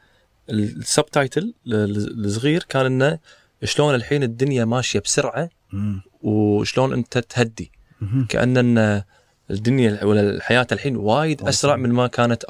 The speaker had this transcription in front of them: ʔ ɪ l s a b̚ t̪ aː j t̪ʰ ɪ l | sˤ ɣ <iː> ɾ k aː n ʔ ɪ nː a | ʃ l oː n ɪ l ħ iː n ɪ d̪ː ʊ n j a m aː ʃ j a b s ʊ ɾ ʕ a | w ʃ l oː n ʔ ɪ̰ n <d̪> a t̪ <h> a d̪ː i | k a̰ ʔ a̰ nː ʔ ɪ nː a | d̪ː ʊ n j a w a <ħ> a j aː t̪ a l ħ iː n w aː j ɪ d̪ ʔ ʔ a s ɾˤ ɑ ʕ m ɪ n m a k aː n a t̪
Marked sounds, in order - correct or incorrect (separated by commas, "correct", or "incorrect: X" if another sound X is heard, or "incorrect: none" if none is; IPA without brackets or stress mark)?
correct, incorrect: t̪, correct, correct